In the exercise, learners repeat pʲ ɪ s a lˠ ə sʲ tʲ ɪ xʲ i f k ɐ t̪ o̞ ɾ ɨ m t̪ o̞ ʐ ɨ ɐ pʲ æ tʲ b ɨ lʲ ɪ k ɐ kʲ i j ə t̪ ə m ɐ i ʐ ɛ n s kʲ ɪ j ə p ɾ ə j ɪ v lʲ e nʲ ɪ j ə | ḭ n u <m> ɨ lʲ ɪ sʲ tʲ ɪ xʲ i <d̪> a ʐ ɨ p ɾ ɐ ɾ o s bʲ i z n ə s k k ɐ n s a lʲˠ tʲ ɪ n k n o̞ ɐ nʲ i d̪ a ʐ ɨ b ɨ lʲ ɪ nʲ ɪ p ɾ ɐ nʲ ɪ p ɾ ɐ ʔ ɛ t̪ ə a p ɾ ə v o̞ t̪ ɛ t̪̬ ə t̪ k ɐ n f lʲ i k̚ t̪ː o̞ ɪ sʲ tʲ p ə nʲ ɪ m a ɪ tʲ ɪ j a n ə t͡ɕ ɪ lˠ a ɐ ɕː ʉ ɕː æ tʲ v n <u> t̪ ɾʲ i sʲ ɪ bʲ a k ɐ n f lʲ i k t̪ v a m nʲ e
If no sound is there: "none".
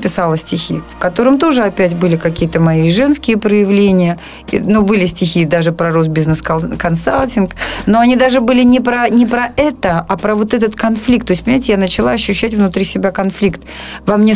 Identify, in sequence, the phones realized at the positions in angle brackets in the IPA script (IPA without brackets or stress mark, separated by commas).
b, d̪, ʊ